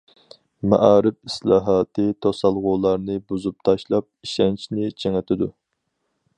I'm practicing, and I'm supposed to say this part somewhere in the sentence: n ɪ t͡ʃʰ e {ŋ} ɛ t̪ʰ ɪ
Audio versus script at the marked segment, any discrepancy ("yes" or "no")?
no